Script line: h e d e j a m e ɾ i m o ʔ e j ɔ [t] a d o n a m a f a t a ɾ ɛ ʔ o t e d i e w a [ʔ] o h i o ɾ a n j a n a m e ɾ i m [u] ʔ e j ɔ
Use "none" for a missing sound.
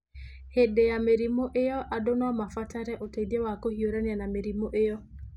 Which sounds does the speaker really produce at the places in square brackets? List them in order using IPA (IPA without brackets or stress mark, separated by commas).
ʔ, k, o